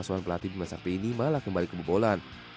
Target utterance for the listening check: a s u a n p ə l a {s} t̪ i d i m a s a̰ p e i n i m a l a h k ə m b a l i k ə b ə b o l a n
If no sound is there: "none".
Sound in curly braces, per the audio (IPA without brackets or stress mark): none